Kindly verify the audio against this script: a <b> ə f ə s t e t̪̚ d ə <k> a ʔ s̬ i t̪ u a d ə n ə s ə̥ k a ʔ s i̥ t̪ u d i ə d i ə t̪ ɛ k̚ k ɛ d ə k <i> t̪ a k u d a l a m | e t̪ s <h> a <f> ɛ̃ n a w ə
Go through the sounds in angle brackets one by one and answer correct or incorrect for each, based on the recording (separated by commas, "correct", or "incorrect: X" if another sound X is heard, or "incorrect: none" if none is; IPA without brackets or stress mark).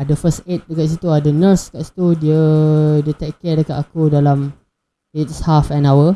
incorrect: d, correct, incorrect: a, correct, correct